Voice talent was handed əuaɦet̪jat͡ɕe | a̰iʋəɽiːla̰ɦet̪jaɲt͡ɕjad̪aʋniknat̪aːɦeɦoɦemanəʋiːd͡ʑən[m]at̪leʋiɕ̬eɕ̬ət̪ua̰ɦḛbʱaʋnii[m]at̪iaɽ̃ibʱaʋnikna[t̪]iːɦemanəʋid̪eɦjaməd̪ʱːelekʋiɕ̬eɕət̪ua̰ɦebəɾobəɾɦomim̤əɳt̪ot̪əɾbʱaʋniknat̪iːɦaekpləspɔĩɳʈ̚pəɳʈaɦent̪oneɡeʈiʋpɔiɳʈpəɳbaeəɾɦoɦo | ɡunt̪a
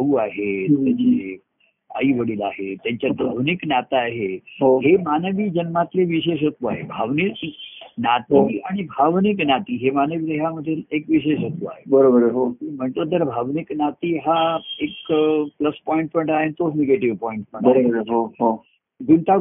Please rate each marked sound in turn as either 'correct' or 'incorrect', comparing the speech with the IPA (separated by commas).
correct, incorrect, correct